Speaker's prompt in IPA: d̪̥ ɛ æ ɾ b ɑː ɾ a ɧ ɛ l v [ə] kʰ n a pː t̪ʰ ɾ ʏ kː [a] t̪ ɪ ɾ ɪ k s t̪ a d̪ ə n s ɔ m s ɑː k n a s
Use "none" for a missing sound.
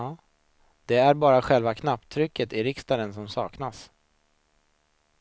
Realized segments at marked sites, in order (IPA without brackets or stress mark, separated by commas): a, ə